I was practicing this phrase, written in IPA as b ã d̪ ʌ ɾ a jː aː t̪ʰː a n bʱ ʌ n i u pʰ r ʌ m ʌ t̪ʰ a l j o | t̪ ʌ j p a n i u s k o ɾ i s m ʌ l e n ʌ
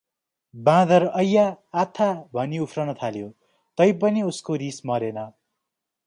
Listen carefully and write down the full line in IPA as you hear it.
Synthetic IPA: b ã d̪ ʌ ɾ ʌ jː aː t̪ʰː a bʱ ʌ n i u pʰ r ʌ n ʌ t̪ʰ a l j o | t̪ ʌ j p ʌ n i u s k o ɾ i s m ʌ ɾ e n ʌ